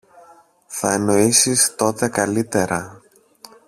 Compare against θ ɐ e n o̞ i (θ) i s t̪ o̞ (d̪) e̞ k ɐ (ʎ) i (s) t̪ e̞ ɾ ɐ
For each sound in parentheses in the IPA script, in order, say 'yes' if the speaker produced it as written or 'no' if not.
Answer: no, no, no, no

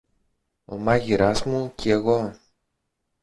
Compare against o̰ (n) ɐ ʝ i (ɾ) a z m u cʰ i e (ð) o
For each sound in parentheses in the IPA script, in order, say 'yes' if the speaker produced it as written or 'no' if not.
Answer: no, yes, no

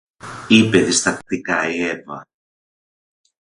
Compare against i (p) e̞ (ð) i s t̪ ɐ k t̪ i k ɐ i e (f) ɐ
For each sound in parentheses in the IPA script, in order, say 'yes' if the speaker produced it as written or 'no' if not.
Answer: yes, yes, no

